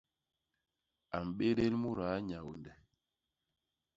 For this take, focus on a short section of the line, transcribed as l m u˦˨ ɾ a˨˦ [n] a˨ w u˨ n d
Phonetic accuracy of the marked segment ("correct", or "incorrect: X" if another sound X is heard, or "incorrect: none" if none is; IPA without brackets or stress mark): incorrect: ɲ